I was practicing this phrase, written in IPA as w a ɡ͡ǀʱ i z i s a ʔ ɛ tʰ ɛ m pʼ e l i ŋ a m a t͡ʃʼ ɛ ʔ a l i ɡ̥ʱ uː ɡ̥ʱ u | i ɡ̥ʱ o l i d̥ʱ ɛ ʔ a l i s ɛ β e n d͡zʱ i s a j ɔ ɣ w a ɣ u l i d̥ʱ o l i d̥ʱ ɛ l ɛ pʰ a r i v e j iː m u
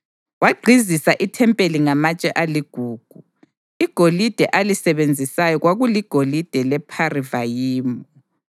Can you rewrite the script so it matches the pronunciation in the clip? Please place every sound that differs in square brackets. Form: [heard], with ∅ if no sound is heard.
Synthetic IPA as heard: w a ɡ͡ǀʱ i z i s a ʔ [i] tʰ ɛ m pʼ e l i ŋ a m a t͡ʃʼ ɛ ʔ a l i ɡ̥ʱ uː ɡ̥ʱ u | i ɡ̥ʱ o l i d̥ʱ ɛ ʔ a l i s ɛ β e n d͡zʱ i s a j ɔ ɣ w a ɣ u l i [ɡ̥ʱ] o l i d̥ʱ ɛ l ɛ pʰ a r i v [a] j iː m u